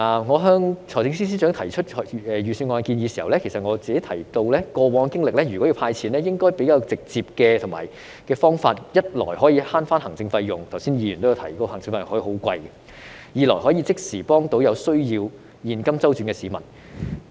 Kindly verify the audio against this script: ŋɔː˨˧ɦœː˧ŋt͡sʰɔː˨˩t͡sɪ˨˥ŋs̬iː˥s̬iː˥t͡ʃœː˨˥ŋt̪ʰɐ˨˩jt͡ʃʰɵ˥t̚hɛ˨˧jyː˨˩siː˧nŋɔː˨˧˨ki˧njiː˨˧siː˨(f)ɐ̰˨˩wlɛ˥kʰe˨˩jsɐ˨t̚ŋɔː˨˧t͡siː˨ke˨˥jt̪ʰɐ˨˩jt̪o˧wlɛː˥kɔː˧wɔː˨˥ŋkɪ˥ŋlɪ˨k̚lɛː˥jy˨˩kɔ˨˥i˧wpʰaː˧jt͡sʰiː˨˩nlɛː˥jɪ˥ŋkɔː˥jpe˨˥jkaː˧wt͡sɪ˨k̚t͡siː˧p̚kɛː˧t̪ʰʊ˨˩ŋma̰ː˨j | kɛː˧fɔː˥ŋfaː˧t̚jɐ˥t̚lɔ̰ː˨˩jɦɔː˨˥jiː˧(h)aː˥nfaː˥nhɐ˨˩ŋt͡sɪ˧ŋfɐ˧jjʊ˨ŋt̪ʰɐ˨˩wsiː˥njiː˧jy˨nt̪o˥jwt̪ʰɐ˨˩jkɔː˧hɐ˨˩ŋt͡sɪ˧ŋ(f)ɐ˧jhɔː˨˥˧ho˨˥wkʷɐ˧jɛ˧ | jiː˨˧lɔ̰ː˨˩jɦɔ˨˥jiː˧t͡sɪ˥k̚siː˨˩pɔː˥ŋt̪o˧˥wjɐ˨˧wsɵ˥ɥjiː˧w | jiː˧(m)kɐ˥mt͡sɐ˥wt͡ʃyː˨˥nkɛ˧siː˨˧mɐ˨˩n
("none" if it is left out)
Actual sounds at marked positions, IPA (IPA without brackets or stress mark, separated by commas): h, h, f, n